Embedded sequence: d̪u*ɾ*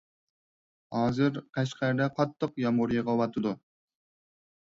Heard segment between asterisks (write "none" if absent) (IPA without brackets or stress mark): none